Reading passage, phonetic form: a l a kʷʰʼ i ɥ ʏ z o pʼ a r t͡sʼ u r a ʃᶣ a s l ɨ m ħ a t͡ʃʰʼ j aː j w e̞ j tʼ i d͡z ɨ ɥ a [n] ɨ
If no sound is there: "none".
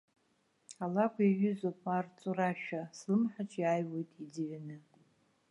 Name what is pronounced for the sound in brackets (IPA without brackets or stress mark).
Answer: n